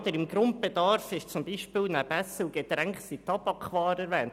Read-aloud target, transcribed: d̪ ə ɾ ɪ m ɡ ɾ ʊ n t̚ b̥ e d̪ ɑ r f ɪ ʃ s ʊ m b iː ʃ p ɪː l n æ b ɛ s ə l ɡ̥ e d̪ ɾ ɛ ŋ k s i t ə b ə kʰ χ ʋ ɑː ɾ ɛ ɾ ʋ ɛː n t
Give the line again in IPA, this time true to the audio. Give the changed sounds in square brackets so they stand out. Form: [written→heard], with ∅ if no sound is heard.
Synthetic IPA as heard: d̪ ə ɾ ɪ m ɡ ɾ ʊ n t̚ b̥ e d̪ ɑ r f ɪ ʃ [s→t͡s] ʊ m b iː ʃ p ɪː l n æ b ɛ s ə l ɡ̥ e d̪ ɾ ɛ ŋ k s i t [ə→ɑ] b [ə→ɑ] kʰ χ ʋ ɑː ɾ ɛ ɾ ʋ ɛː n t